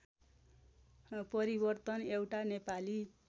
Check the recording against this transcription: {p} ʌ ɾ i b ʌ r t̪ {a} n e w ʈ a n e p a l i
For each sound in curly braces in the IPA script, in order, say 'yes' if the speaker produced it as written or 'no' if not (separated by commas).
yes, no